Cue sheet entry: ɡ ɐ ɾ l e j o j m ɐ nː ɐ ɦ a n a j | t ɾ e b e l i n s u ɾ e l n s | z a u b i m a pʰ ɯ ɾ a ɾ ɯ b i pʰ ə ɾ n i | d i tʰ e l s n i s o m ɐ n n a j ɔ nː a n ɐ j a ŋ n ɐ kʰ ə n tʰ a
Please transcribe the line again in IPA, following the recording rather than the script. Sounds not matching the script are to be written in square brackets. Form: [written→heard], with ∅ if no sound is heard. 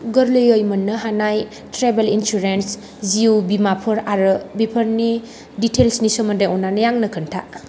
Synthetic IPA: ɡ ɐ ɾ l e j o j m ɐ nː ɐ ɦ a n a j | t ɾ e b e l i n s u ɾ e [l→∅] n s | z [a→i] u b i m a pʰ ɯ ɾ a ɾ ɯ b i pʰ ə ɾ n i | d i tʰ e l s n i s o m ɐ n [n→d] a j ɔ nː a n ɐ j a ŋ n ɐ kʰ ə n tʰ a